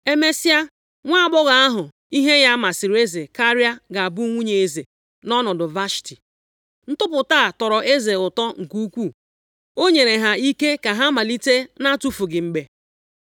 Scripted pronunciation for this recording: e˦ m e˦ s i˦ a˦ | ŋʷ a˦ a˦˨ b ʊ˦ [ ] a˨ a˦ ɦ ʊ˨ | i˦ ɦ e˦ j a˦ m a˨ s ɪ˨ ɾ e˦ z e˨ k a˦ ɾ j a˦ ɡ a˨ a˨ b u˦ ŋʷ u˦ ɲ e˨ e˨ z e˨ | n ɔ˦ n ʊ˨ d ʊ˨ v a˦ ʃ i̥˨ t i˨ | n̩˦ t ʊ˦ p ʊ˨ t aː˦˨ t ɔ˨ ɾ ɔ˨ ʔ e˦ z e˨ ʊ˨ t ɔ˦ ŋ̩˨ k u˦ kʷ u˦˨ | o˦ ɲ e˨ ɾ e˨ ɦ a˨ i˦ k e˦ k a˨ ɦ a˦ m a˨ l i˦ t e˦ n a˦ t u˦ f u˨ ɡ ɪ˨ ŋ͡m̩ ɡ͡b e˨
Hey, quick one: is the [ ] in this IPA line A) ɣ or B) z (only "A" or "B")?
A